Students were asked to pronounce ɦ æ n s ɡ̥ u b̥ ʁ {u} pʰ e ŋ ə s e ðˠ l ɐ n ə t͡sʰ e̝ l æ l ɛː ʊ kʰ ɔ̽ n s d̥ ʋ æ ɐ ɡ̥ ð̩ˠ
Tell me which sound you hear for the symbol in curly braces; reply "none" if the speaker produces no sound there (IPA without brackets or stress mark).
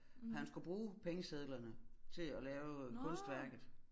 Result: uː